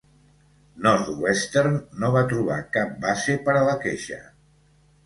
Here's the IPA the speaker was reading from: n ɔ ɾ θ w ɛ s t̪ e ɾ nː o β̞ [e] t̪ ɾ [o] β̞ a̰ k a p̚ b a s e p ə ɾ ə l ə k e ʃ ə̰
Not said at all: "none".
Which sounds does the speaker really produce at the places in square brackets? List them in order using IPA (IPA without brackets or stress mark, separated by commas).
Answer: a, u